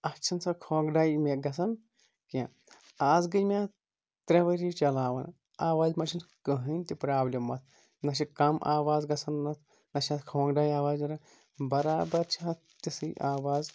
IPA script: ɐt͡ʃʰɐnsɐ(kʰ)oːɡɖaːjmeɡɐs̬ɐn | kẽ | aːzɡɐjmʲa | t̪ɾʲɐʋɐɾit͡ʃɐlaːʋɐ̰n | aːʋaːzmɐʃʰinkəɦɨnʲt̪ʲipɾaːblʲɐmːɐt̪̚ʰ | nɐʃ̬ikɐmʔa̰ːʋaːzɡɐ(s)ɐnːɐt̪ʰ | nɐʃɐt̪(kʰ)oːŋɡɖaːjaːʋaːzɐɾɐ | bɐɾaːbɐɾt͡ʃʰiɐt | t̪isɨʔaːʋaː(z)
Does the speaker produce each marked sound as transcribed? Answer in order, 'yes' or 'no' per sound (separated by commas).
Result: yes, yes, yes, yes